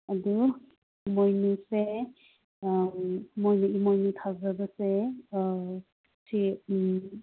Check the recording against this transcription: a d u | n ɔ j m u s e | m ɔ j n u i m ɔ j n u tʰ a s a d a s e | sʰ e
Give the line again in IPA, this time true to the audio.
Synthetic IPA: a d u | m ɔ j n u s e | m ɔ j n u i m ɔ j n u tʰ a z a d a s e | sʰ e